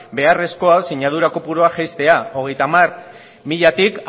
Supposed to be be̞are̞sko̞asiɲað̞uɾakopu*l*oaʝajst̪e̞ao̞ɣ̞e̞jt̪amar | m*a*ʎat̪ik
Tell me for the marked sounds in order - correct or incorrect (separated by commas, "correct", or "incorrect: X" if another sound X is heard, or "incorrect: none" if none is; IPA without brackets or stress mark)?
incorrect: ɾ, incorrect: i